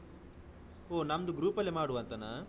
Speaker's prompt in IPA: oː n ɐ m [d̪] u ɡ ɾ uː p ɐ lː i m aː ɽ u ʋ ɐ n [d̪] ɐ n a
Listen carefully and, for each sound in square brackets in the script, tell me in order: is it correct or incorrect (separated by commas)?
correct, incorrect